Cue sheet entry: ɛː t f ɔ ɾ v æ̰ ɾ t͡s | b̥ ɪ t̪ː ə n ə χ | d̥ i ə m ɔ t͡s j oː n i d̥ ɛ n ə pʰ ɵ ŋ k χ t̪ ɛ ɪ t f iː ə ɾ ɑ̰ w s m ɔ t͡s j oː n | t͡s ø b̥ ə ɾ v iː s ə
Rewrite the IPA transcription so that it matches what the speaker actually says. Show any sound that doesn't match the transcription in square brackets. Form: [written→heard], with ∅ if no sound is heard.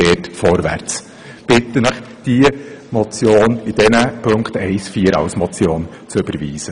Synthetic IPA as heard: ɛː t f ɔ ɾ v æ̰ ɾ t͡s | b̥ ɪ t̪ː ə n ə χ | d̥ i ə m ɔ t͡s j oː n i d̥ ɛ n ə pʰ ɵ ŋ k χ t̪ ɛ ɪ [t→s] f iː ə ɾ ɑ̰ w s m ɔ t͡s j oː n | t͡s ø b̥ ə ɾ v iː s ə